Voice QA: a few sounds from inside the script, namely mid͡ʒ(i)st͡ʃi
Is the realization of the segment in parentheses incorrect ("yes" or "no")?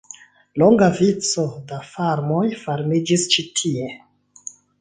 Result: no